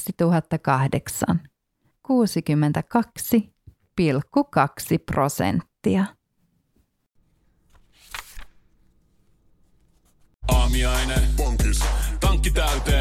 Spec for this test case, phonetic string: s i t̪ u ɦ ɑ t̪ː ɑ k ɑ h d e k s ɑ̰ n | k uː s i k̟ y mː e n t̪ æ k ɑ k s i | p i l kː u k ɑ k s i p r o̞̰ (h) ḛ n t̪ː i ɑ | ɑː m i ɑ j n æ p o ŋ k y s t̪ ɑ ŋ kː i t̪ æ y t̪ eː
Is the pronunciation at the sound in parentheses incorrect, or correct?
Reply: incorrect